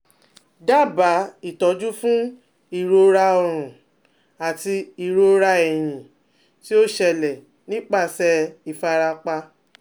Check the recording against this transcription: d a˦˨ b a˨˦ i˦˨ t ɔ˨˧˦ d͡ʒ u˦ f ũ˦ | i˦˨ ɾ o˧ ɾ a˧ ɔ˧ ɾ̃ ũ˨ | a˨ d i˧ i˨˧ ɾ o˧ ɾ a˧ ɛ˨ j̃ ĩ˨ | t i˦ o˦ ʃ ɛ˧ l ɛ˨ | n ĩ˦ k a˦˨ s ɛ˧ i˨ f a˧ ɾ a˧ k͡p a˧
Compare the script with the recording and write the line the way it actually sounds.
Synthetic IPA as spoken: d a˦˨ b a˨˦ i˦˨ t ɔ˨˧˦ d͡ʒ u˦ f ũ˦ | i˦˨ ɾ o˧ ɾ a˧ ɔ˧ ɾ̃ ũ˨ | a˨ t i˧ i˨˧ ɾ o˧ ɾ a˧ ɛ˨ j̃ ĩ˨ | t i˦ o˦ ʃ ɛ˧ l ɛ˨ | n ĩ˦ k͡p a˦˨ s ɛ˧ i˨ f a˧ ɾ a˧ k͡p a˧